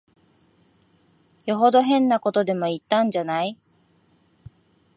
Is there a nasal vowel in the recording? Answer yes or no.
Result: yes